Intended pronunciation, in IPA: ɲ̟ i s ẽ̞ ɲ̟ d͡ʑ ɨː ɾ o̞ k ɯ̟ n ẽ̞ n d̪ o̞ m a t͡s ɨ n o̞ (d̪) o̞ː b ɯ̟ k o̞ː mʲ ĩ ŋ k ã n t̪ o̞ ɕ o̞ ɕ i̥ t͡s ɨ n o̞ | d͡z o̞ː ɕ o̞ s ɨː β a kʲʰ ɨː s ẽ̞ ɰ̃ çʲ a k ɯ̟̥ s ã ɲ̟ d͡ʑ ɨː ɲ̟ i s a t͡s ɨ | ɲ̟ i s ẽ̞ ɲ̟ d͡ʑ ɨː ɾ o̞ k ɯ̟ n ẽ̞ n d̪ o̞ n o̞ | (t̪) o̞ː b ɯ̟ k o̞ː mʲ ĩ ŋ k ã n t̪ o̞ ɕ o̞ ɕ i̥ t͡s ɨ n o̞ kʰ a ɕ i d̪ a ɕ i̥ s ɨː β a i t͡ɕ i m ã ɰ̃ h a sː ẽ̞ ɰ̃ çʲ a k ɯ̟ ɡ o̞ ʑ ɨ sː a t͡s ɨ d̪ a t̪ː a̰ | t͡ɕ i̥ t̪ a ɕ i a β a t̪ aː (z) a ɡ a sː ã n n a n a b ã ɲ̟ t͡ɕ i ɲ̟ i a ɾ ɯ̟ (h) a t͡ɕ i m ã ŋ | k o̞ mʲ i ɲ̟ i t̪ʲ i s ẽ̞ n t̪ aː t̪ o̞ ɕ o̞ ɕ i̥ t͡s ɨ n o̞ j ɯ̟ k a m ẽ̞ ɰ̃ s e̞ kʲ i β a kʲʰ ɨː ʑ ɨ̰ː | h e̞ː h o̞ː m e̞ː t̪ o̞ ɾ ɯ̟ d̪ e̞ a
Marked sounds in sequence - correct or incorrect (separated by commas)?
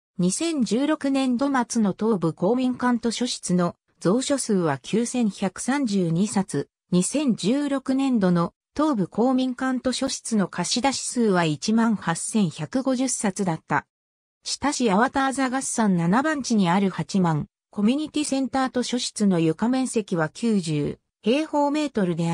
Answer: incorrect, correct, correct, correct